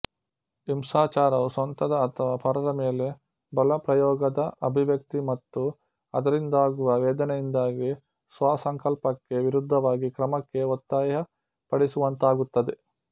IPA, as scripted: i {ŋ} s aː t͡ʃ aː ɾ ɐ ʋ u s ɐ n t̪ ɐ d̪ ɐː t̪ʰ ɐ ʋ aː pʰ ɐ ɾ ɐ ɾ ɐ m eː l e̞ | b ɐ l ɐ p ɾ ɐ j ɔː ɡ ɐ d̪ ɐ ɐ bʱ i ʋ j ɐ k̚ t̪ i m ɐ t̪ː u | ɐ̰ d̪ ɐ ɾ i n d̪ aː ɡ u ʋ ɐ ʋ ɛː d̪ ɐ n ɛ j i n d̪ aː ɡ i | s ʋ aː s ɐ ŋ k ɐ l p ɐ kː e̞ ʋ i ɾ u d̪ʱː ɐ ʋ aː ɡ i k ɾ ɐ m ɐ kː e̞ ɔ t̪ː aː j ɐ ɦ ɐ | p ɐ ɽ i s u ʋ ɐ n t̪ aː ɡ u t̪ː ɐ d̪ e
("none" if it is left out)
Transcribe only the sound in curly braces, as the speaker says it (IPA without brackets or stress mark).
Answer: m